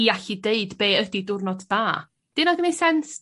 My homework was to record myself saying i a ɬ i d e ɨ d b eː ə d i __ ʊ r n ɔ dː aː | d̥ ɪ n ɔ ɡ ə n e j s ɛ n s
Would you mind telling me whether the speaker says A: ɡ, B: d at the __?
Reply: B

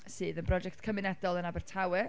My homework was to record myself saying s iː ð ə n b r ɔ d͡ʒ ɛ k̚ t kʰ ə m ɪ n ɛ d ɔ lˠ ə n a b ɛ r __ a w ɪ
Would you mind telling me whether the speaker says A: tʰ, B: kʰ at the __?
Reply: A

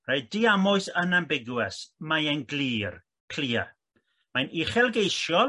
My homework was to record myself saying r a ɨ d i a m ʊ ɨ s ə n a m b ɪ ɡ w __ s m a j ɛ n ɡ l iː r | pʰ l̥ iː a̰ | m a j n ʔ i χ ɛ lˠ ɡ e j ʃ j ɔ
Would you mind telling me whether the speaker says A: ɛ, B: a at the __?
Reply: A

